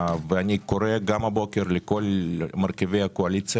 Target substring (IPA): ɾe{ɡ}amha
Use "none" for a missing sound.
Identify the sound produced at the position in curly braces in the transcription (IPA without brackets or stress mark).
ɡ